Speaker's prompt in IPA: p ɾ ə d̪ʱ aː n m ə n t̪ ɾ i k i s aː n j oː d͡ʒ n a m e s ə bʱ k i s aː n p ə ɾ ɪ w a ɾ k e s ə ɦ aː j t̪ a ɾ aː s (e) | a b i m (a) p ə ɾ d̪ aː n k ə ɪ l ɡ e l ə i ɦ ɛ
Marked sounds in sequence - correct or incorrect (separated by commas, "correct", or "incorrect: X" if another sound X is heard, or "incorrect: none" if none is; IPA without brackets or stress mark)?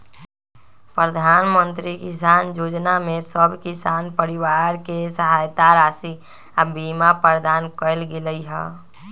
incorrect: i, correct